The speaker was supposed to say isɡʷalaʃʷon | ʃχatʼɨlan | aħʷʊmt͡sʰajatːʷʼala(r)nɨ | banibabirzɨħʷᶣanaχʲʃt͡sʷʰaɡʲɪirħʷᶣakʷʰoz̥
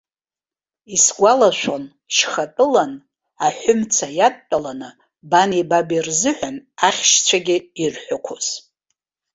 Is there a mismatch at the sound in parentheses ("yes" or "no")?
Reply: yes